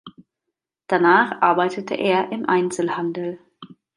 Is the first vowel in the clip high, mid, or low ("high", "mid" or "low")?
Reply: low